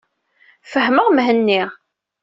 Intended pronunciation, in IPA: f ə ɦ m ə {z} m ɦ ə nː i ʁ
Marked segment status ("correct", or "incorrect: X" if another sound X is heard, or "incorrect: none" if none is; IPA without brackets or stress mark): incorrect: ʁ